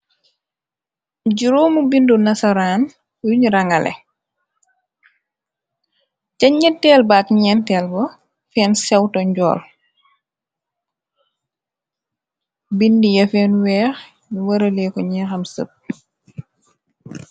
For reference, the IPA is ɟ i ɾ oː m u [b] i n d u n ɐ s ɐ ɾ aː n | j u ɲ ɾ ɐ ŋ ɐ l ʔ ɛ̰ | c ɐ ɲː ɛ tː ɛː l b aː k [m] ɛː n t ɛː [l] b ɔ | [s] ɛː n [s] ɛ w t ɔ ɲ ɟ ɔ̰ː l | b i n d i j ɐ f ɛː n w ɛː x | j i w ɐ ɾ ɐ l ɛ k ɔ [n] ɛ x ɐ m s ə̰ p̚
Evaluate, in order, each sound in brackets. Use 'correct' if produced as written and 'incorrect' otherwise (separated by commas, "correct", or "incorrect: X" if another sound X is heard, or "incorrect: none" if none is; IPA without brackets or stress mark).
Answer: correct, incorrect: ɲ, correct, incorrect: f, correct, incorrect: ɲ